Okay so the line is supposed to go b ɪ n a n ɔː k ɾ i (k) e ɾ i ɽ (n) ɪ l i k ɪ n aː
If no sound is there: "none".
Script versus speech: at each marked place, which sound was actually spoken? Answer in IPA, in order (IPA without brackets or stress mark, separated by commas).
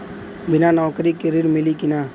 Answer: k, m